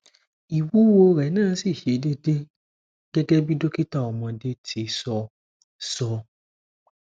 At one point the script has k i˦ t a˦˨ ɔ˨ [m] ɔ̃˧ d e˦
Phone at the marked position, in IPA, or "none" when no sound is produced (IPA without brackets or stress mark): m